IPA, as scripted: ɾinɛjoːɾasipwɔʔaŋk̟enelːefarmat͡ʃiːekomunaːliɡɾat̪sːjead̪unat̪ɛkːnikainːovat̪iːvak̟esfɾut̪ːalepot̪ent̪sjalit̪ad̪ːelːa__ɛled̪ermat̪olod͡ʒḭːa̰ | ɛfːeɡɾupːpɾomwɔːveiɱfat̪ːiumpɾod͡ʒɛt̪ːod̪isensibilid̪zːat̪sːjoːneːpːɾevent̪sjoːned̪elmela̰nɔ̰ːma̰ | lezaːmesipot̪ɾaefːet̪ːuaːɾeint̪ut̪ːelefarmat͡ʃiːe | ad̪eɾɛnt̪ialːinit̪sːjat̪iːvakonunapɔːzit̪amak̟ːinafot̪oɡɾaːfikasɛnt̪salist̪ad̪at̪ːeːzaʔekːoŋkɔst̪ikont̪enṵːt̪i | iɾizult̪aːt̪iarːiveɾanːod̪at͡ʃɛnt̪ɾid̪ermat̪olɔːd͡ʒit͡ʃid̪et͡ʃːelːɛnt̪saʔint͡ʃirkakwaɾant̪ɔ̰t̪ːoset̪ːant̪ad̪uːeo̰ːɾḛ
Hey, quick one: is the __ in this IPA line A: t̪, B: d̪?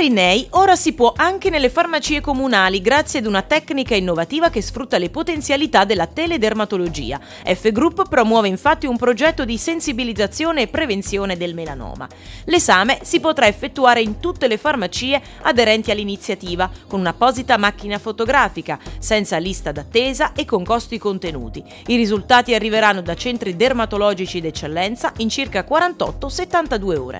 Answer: A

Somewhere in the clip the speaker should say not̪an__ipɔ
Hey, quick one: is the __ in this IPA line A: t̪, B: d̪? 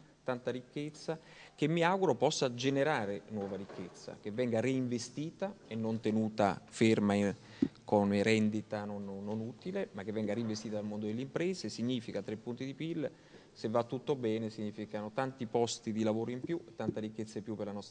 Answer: A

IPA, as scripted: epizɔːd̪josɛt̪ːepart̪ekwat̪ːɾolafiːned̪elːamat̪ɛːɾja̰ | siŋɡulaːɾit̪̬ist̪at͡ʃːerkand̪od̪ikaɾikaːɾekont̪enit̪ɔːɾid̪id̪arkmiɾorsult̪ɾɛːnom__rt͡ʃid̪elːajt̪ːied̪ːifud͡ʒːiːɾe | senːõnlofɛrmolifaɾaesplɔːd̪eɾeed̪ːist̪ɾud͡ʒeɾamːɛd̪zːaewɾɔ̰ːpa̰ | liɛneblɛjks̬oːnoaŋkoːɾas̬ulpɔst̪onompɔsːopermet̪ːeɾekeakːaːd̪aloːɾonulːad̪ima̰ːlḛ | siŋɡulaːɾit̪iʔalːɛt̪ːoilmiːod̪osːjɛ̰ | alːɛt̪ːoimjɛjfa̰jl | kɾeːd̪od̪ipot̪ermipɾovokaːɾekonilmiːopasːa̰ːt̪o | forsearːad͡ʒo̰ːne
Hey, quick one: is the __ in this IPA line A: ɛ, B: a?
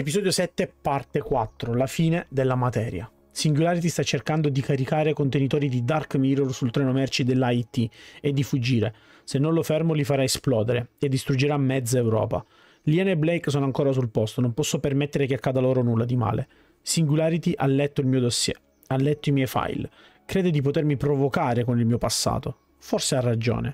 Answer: A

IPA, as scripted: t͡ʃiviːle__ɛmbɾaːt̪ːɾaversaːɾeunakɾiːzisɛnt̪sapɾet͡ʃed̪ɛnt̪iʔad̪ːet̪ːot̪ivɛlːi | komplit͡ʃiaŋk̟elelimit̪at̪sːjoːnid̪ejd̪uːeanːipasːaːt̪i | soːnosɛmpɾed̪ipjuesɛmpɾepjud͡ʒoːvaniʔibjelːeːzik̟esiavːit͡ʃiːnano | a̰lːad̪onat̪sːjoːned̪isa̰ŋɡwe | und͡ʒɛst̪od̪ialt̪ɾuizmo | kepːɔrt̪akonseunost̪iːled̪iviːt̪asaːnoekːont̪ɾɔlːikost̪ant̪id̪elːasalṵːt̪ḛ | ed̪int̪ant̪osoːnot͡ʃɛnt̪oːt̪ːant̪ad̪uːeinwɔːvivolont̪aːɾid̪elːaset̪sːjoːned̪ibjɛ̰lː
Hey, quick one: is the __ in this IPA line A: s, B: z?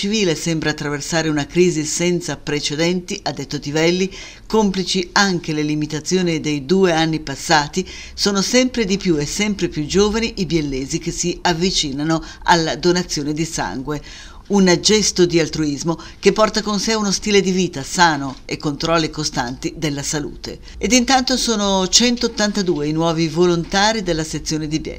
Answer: A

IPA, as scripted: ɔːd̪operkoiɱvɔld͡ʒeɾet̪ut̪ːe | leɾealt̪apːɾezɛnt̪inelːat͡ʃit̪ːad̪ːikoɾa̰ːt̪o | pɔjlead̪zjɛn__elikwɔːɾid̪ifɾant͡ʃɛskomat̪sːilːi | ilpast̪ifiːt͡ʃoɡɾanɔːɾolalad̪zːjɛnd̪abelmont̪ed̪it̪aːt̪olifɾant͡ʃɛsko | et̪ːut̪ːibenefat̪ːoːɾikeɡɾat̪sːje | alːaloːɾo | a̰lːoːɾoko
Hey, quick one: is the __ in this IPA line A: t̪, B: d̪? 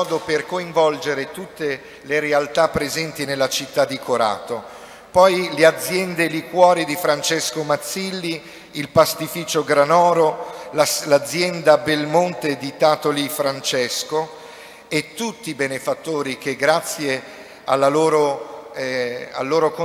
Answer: B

